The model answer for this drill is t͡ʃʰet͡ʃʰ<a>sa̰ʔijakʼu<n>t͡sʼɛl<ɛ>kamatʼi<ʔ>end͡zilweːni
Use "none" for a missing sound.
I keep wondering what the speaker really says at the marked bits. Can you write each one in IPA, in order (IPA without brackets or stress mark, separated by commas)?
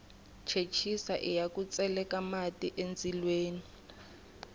i, none, ɛ, ʔ